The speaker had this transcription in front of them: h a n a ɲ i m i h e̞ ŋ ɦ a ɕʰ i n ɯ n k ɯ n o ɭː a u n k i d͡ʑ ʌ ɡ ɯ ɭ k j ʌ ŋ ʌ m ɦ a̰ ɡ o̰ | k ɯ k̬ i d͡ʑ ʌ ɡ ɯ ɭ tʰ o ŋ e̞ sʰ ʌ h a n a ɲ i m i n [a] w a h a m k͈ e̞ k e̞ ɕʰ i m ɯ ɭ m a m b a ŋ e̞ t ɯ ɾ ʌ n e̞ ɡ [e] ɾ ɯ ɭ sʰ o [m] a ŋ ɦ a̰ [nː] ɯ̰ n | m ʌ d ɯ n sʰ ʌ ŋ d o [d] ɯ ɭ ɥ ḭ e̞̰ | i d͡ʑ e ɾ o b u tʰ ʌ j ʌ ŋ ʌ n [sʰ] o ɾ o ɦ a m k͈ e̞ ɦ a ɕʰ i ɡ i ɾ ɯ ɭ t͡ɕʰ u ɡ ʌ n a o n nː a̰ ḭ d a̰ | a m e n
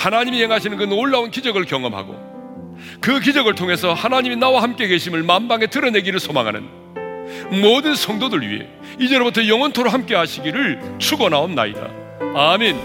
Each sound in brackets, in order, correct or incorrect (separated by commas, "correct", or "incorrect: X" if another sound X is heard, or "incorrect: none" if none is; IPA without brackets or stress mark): correct, incorrect: i, correct, incorrect: n, correct, incorrect: tʰ